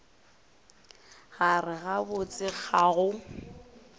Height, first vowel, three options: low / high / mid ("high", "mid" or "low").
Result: low